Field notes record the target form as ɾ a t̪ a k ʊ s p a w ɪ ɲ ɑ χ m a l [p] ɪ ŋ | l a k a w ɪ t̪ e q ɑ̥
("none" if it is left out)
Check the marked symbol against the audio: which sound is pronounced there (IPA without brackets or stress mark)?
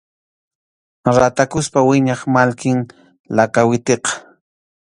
k